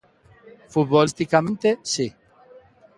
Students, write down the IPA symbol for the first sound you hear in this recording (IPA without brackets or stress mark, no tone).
f